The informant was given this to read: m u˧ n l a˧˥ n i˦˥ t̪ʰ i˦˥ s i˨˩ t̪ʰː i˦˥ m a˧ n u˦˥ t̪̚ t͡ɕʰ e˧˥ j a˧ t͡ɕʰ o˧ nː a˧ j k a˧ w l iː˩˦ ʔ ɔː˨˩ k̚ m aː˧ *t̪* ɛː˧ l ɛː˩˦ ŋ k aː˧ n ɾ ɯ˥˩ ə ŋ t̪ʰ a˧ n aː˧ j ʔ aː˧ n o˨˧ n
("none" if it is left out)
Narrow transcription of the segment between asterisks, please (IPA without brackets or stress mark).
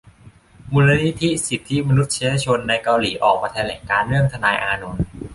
t̪ʰ